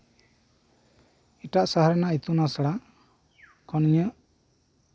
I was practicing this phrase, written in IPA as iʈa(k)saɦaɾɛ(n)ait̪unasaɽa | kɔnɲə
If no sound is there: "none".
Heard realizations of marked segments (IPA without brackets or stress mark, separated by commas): ʔ, n